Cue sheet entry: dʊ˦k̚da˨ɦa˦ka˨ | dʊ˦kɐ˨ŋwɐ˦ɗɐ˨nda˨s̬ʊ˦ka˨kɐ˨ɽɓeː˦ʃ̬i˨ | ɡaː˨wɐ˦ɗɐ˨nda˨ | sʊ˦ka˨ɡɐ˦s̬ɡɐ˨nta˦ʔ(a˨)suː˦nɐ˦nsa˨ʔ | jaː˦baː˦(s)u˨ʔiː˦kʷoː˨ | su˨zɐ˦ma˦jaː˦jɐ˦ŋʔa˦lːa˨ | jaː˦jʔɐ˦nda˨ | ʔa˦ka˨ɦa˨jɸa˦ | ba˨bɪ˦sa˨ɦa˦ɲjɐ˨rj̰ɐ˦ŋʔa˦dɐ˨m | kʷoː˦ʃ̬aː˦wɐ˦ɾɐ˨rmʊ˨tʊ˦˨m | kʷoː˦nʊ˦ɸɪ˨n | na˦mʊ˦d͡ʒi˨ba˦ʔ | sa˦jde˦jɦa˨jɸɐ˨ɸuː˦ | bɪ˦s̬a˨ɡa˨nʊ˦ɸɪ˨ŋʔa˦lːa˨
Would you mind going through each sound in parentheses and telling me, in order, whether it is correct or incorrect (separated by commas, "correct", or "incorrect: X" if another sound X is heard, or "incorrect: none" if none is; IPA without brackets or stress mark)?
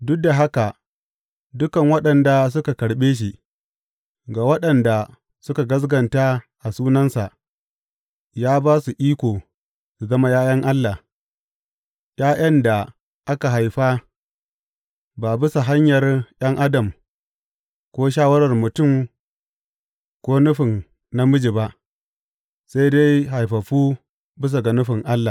correct, correct